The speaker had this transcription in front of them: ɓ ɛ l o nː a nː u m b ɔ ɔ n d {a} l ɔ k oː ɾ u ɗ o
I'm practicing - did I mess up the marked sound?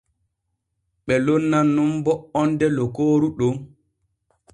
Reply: yes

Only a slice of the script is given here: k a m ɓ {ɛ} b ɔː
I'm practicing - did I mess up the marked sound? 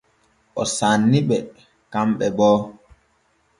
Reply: no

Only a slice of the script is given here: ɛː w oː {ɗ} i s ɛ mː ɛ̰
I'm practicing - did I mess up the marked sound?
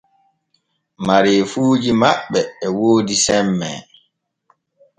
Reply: yes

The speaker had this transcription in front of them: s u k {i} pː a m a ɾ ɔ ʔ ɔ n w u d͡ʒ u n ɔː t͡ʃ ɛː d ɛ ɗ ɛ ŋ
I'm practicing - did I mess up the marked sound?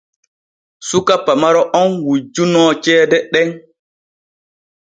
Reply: yes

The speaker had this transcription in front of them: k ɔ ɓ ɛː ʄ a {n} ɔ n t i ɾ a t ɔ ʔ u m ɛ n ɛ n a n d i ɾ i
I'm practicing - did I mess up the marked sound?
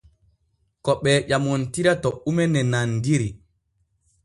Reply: yes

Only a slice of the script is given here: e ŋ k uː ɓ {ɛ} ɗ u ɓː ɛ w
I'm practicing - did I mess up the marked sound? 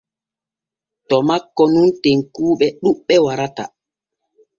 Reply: no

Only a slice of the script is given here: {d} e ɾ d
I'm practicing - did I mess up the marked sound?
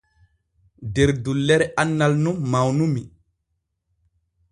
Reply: no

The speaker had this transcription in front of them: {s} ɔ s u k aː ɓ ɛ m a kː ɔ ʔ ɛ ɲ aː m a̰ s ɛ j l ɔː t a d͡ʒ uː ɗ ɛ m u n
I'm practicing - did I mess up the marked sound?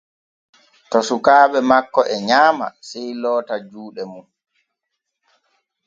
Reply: yes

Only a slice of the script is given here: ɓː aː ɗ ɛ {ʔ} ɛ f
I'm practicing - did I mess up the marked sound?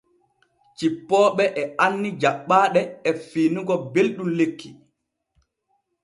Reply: yes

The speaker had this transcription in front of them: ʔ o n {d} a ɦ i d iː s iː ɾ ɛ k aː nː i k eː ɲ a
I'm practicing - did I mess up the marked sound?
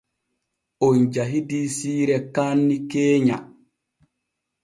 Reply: yes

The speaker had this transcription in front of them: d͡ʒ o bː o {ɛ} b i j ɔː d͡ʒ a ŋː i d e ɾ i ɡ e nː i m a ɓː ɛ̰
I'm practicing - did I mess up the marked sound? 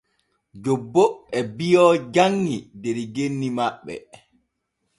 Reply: no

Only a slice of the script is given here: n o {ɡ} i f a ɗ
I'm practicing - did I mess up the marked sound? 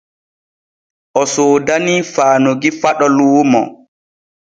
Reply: no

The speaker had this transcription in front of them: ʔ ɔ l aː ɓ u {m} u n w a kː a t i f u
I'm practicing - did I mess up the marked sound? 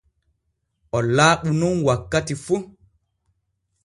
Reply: yes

